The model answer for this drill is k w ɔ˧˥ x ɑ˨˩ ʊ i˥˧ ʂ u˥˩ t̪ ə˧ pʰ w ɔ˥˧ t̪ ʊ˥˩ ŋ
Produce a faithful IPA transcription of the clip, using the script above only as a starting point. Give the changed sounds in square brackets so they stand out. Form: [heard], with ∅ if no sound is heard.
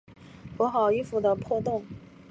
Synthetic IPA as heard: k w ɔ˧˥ x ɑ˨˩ ʊ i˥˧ [f] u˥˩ [d̪] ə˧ pʰ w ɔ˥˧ t̪ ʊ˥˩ ŋ

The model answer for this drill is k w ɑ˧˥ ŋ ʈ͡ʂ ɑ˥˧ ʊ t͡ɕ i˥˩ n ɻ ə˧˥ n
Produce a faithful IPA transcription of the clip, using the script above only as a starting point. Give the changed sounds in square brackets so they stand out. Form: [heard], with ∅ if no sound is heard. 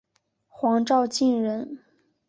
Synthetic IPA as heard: [x] w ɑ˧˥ ŋ ʈ͡ʂ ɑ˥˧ ʊ t͡ɕ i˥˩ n ɻ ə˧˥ n

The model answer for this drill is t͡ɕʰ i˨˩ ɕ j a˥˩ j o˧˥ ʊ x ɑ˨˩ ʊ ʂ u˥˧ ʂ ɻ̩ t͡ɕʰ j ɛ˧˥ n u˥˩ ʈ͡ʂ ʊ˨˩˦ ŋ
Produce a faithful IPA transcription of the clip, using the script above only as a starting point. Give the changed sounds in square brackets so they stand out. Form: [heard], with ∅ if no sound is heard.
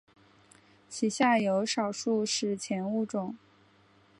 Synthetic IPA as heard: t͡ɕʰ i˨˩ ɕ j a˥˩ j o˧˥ ʊ [ʂ] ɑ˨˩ ʊ ʂ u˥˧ ʂ ɻ̩ t͡ɕʰ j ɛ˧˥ n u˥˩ ʈ͡ʂ ʊ˨˩˦ ŋ

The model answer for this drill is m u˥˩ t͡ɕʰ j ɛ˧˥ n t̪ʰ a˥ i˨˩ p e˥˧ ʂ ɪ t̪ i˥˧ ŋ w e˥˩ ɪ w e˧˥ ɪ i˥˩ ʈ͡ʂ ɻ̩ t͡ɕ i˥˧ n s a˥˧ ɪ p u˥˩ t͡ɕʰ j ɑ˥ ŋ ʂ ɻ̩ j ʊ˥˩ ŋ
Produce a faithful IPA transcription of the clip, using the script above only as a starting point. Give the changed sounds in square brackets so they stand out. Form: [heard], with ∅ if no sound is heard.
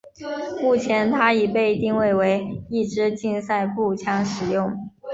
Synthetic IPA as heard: m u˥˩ t͡ɕʰ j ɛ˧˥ n t̪ʰ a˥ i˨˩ p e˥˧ [∅] ɪ t̪ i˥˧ ŋ w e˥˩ ɪ w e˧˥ ɪ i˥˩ ʈ͡ʂ ɻ̩ t͡ɕ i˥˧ n s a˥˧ ɪ p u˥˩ t͡ɕʰ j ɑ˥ ŋ ʂ ɻ̩ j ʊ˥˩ ŋ

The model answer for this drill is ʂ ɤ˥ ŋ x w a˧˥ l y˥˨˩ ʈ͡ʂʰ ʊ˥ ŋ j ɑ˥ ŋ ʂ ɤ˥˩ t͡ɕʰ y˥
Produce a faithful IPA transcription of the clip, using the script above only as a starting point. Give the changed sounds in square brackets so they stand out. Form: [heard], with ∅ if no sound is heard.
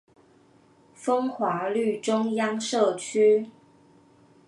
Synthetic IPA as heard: [f] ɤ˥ ŋ x w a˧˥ l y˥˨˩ [ʈ͡ʂ] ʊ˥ ŋ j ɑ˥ ŋ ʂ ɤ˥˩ t͡ɕʰ y˥

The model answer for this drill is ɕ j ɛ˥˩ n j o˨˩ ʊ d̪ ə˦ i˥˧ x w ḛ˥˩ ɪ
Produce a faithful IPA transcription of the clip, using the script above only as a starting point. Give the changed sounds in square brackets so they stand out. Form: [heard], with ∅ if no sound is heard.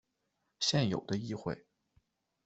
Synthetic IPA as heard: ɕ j ɛ˥˩ n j o˨˩ ʊ d̪ ə˦ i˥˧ x w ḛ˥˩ ɪ

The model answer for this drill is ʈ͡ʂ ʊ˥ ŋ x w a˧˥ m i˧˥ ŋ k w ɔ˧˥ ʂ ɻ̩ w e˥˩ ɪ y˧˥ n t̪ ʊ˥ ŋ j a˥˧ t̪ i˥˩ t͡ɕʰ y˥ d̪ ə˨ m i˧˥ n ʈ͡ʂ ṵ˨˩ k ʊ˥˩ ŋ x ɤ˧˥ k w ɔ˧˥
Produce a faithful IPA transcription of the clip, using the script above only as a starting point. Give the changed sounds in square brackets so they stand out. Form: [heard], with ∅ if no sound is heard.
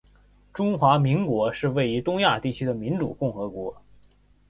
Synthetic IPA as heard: ʈ͡ʂ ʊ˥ ŋ x w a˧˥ m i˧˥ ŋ k w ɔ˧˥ ʂ ɻ̩ w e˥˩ ɪ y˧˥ [∅] t̪ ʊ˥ ŋ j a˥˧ t̪ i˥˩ t͡ɕʰ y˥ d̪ ə˨ m i˧˥ n ʈ͡ʂ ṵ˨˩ k ʊ˥˩ ŋ x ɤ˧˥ k w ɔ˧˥

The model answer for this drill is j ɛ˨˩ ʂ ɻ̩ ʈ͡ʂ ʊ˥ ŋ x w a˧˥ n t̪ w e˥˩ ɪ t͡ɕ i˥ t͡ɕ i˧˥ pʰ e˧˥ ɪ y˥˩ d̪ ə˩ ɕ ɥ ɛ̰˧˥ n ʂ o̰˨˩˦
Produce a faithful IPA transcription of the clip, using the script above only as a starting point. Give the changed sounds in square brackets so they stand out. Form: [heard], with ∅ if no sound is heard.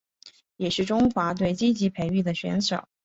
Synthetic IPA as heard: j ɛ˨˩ ʂ ɻ̩ ʈ͡ʂ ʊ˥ ŋ x w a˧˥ [∅] t̪ w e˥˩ ɪ t͡ɕ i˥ t͡ɕ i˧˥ pʰ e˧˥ ɪ y˥˩ d̪ ə˩ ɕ ɥ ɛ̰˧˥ n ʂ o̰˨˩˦

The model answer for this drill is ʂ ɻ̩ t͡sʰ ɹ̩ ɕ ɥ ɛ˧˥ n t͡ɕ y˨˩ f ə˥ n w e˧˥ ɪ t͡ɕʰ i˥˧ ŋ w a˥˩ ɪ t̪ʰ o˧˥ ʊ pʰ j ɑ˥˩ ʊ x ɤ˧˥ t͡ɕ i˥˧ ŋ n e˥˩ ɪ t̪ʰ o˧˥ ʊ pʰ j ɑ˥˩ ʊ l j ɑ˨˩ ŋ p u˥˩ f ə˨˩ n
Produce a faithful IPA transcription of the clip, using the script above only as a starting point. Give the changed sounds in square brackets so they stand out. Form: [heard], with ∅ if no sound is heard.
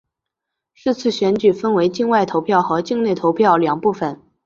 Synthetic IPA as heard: ʂ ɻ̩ t͡sʰ ɹ̩ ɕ ɥ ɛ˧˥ n t͡ɕ y˨˩ f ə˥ n w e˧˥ ɪ [t͡ɕ] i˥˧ ŋ w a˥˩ ɪ t̪ʰ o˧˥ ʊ pʰ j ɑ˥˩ ʊ x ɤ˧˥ t͡ɕ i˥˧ ŋ n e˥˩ ɪ t̪ʰ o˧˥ ʊ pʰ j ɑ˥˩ ʊ l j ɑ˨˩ ŋ p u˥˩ f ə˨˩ n

